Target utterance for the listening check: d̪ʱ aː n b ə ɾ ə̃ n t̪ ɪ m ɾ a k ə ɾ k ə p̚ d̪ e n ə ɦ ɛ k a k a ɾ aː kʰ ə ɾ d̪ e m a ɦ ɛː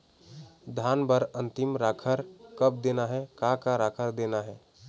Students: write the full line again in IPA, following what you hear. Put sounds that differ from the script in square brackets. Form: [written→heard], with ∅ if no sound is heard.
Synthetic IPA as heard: d̪ʱ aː n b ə ɾ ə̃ n t̪ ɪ m ɾ a [k→kʰ] ə ɾ k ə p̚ d̪ e n [ə→a] ɦ ɛ k a k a ɾ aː kʰ ə ɾ d̪ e [m→n] a ɦ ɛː